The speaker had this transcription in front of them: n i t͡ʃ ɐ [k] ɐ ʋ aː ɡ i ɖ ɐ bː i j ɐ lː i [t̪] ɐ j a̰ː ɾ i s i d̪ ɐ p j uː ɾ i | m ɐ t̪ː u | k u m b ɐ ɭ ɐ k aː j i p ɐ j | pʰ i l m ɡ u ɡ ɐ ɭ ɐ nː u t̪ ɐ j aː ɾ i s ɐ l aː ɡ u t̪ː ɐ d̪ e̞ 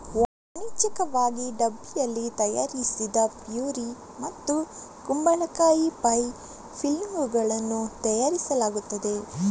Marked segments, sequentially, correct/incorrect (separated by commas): correct, correct